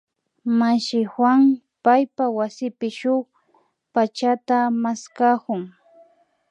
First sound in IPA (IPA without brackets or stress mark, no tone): m